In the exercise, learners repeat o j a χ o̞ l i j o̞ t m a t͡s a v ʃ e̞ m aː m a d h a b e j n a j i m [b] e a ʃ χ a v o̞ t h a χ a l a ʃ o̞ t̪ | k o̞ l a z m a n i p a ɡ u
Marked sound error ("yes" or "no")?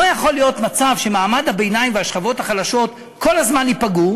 yes